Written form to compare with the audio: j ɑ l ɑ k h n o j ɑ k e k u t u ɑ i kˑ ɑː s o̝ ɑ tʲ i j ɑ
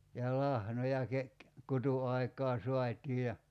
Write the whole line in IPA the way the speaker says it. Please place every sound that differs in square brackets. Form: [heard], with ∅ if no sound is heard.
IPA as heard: j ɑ l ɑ [∅] h n o j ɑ k e k u t u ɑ i kˑ ɑː s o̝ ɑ tʲ [iː] j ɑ